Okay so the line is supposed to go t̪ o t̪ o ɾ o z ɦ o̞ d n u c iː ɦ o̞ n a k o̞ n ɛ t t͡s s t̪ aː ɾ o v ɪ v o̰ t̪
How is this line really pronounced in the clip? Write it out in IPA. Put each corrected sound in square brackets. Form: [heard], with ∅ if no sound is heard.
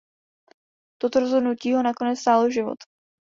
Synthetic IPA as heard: t̪ o t̪ o ɾ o z ɦ o̞ d n u c iː ɦ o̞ n a k o̞ n ɛ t t͡s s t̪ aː [l] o [ʒ] ɪ v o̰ t̪